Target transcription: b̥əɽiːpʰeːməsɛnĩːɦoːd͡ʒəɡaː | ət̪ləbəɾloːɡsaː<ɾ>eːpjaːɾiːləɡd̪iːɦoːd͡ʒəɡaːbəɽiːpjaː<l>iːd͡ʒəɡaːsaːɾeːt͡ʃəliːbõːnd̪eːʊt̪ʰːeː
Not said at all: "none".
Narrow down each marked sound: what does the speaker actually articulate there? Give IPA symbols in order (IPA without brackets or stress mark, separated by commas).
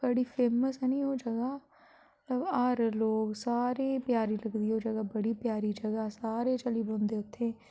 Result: ɾ, ɾ